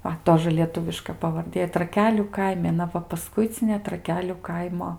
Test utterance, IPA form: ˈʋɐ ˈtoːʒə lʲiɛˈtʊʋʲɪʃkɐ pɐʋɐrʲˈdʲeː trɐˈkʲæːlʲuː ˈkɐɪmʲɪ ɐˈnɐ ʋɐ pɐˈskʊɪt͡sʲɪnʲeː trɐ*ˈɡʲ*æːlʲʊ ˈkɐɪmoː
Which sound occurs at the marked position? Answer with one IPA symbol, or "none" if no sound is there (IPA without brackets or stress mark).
kʲ